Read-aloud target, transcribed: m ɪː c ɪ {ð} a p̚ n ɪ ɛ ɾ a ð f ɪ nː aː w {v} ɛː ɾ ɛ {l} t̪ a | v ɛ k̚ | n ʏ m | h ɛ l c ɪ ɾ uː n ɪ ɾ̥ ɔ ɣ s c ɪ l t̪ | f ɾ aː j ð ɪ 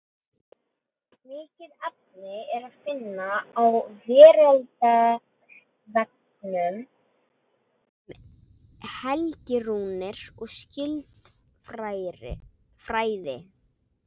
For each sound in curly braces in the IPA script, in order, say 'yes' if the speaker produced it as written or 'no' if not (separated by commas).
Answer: yes, yes, yes